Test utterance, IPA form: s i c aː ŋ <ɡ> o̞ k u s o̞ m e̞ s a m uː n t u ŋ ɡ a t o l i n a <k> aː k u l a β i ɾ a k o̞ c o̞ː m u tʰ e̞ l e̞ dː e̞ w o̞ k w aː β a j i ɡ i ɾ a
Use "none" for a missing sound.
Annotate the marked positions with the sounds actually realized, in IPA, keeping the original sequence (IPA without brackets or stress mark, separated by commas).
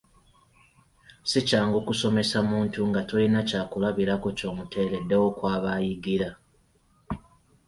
ɡ, c